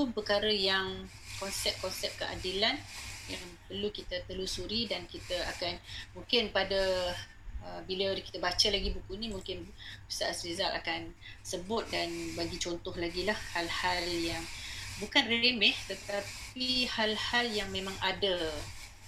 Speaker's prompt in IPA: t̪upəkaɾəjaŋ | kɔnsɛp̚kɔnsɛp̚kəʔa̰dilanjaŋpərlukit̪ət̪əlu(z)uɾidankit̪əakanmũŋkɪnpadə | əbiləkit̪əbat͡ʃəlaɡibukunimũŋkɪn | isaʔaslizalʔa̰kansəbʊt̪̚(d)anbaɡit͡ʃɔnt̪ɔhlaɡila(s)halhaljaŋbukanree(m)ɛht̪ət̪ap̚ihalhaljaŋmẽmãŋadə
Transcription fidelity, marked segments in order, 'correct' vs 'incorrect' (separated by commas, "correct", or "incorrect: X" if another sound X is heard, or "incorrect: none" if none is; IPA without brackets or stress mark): incorrect: s, correct, incorrect: h, correct